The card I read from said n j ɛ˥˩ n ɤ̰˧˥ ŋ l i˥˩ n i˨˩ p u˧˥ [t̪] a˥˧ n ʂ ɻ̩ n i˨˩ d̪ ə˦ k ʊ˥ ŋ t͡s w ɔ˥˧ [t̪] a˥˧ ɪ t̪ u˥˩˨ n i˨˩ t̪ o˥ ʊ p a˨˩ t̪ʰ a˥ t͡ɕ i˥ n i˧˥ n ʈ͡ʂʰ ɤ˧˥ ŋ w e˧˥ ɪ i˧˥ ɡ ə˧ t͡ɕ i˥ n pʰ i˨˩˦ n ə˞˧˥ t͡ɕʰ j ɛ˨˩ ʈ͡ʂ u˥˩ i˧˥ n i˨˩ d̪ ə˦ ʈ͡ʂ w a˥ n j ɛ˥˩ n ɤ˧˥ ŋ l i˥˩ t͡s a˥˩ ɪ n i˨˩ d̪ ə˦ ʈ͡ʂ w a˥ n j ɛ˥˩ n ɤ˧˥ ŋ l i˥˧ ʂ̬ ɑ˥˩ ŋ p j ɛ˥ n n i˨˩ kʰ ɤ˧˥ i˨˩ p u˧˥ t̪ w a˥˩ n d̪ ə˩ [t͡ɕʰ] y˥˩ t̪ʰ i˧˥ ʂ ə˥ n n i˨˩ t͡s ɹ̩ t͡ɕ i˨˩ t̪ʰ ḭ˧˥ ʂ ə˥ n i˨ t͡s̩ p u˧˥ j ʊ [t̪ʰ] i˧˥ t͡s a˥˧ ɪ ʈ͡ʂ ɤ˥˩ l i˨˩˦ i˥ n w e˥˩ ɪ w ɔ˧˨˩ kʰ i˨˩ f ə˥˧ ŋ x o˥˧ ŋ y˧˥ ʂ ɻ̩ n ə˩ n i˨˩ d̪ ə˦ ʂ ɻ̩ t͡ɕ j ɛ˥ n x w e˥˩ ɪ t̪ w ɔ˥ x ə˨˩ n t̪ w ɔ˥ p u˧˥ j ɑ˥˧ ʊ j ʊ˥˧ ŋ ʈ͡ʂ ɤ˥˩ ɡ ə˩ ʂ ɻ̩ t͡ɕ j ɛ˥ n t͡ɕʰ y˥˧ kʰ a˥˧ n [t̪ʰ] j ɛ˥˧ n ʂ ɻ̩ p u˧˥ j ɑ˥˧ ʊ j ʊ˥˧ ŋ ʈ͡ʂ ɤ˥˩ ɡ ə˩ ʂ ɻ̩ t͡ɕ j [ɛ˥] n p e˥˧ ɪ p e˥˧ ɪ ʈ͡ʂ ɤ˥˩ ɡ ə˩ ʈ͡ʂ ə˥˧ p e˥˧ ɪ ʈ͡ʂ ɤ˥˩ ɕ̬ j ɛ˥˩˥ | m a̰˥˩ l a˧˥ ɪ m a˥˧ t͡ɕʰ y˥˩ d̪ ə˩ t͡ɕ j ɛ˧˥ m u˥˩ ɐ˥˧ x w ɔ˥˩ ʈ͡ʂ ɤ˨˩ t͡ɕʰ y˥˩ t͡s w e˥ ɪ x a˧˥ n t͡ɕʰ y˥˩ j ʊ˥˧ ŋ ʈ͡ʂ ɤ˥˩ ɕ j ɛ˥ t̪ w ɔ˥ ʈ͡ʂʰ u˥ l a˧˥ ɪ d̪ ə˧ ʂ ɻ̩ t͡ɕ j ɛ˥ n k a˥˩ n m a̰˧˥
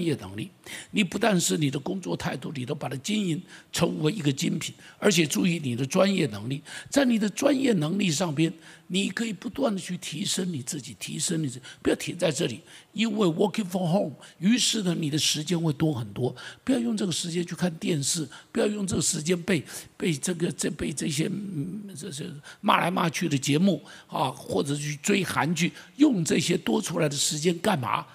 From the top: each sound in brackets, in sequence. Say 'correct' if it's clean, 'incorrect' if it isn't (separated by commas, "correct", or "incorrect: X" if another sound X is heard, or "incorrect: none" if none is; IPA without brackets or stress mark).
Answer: correct, incorrect: t̪ʰ, correct, correct, incorrect: t̪, correct